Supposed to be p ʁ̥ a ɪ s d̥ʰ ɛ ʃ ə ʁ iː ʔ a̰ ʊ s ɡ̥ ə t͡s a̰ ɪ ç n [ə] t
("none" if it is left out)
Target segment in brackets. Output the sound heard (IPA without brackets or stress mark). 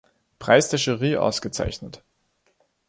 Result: ə